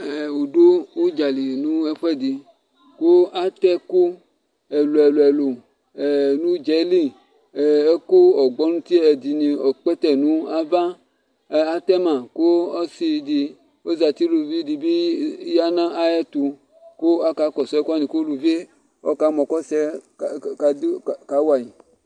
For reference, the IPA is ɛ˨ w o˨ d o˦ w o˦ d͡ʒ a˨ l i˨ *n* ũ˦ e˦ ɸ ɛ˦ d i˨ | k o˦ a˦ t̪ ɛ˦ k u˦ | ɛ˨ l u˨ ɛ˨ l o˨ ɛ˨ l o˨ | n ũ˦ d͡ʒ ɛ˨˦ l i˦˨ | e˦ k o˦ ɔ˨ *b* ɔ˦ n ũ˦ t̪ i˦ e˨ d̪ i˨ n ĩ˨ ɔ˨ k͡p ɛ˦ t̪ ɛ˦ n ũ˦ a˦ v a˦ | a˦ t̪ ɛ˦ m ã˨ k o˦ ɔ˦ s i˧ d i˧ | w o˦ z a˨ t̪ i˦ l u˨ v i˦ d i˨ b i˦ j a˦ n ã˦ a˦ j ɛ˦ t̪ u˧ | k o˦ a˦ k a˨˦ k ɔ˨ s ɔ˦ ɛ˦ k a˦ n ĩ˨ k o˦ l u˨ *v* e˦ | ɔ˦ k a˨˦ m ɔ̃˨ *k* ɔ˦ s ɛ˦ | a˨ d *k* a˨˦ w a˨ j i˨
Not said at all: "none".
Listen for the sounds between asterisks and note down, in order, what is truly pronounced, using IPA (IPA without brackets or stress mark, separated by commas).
n, ɡ͡b, v, k, k